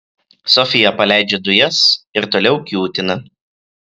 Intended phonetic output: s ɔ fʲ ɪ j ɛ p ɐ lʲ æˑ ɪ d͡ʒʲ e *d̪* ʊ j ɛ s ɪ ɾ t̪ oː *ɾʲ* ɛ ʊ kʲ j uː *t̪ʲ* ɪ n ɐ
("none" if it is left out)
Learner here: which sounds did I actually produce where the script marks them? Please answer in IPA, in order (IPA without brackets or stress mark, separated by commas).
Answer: d̪, lʲ, t̪ʲ